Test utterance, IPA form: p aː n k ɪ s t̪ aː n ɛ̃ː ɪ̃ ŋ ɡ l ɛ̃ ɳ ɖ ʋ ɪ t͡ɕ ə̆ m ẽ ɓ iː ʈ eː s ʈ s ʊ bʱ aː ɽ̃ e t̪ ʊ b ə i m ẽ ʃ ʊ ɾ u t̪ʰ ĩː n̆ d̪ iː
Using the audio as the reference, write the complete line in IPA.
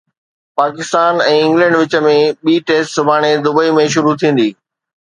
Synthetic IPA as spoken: p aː k ɪ s t̪ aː n ɛ̃ː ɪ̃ ŋ ɡ l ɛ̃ ɳ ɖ ʋ ɪ t͡ɕ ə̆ m ẽ ɓ iː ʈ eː s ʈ s ʊ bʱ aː ɽ̃ e d̪ ʊ b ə i m ẽ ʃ ʊ ɾ u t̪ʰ ĩː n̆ d̪ iː